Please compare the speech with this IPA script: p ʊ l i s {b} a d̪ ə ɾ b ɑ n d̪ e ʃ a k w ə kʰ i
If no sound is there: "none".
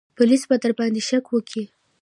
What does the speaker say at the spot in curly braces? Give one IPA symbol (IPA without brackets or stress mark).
b